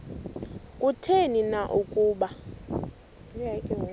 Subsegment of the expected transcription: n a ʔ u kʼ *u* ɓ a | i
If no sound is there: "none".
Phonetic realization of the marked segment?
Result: uː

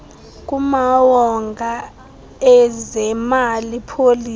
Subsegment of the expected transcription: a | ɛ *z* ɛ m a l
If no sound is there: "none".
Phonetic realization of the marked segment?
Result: z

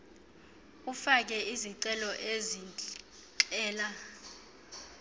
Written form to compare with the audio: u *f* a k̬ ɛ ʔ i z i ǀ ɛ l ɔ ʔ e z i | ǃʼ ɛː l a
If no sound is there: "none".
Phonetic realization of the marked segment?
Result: f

